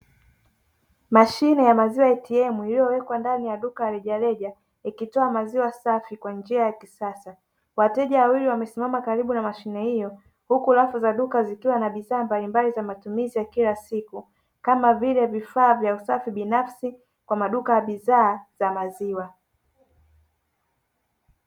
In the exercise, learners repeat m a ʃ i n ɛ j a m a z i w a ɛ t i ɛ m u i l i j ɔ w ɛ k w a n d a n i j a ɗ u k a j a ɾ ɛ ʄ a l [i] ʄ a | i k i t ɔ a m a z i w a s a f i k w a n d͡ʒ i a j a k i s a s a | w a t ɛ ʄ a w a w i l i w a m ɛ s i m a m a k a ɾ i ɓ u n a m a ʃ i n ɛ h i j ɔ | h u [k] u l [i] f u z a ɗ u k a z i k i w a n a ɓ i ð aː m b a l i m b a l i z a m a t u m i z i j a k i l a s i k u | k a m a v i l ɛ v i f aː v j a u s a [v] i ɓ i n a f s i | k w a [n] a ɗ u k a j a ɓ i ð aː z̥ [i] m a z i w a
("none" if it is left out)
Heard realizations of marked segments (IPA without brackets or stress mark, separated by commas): ɛ, k, a, f, m, a